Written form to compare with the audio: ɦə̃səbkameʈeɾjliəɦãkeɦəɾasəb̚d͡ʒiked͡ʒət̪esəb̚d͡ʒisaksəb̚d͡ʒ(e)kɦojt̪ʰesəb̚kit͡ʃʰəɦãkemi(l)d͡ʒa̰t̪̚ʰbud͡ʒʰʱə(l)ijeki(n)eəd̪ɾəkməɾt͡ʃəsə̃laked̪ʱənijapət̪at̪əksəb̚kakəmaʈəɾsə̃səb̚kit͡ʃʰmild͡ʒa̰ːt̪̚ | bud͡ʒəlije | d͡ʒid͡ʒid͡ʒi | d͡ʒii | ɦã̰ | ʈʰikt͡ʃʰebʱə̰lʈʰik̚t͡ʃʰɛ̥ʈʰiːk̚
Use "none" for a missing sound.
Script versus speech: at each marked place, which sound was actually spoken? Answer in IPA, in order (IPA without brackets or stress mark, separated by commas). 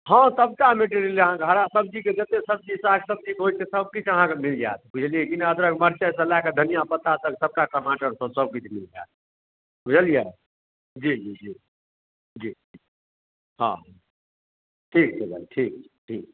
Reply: i, l, l, n